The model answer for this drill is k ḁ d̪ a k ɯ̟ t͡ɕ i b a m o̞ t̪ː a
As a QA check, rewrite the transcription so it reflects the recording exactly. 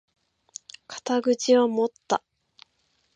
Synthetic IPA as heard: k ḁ t̪ a ɡ ɯ̟ t͡ɕ i β a m o̞ t̪ː a